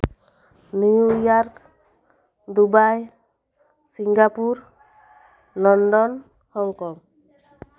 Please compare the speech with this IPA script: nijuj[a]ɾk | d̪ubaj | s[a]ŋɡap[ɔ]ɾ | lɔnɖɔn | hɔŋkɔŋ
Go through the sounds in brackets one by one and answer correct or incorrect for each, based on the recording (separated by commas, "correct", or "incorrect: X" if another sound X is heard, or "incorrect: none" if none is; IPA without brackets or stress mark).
correct, incorrect: i, incorrect: u